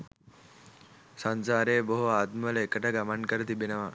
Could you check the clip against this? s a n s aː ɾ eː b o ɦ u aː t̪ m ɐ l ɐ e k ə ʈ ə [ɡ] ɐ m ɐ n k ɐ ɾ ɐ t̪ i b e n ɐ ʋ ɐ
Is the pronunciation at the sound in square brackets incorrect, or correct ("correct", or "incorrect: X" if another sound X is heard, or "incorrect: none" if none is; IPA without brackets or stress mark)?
correct